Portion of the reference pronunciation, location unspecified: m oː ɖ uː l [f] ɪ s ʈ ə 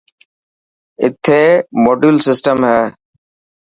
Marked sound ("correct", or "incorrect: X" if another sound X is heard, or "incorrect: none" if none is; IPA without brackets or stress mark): incorrect: s